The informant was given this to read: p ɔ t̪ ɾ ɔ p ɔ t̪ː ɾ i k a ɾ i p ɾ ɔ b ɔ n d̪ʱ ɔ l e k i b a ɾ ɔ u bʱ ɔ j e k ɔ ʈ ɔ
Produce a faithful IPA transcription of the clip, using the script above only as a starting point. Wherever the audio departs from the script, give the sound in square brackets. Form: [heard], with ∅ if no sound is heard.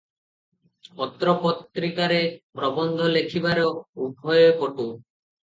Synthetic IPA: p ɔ t̪ ɾ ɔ p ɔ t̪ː ɾ i k a ɾ [e] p ɾ ɔ b ɔ n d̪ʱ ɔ l e [kʰ] i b a ɾ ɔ u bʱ ɔ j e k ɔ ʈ [u]